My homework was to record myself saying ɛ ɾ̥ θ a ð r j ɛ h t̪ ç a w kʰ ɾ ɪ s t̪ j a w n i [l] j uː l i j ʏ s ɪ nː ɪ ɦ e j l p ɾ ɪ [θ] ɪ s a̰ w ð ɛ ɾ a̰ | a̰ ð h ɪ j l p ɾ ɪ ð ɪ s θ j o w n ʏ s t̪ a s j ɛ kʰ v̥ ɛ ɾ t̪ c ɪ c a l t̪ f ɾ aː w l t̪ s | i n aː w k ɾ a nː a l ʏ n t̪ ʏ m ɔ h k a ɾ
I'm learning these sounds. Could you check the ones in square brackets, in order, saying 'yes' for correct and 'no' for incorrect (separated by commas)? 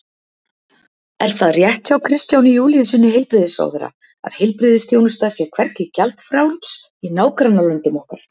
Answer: no, no